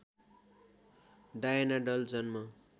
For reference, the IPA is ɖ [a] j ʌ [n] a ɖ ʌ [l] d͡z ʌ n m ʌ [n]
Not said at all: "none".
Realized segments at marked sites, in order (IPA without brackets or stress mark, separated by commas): a, n, l, none